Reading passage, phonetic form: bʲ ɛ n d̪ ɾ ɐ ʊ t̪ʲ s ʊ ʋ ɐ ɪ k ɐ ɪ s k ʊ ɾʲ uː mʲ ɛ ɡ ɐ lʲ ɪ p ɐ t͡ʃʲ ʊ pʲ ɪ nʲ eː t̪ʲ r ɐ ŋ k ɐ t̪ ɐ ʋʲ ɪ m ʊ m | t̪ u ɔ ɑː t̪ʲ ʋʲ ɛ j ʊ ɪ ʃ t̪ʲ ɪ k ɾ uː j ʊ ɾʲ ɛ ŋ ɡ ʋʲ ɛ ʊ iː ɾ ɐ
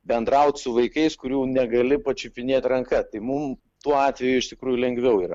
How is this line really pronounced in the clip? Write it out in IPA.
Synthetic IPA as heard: bʲ ɛ n d̪ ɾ ɐ ʊ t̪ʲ s ʊ ʋ ɐ ɪ k ɐ ɪ s k ʊ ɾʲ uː nʲ ɛ ɡ ɐ lʲ ɪ p ɐ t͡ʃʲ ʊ pʲ ɪ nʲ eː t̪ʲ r ɐ ŋ k ɐ t̪ ɐ ɪ m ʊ m | t̪ u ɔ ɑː t̪ʲ ʋʲ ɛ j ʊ ɪ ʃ t̪ʲ ɪ k ɾ uː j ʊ lʲ ɛ ŋ ɡ ʋʲ ɛ ʊ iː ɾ ɐ